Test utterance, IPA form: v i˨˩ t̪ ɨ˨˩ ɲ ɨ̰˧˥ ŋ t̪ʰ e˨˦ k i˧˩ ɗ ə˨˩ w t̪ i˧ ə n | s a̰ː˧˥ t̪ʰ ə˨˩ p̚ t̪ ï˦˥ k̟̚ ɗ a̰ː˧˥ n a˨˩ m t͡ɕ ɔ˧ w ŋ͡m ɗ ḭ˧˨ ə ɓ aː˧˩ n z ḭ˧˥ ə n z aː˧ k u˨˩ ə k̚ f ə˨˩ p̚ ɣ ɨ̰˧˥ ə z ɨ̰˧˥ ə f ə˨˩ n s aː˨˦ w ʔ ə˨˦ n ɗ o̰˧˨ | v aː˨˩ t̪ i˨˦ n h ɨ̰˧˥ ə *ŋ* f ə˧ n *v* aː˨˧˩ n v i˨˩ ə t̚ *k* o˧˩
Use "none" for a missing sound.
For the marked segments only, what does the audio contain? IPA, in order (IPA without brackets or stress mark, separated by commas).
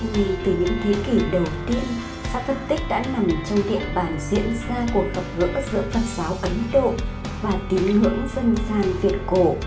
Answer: ŋ, z, k